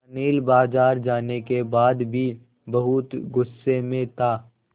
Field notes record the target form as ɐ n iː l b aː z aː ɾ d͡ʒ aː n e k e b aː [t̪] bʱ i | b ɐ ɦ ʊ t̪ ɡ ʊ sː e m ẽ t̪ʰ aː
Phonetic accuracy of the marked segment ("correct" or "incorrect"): incorrect